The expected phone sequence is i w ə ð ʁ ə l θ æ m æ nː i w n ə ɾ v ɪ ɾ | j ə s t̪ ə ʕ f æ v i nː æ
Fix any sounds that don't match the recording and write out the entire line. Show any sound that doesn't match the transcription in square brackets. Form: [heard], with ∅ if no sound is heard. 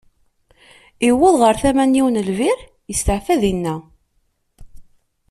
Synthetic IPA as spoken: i w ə ð ʁ ə [ɾ] θ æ m æ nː i w n ə [l] v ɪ ɾ | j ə s t̪ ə ʕ f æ [ð] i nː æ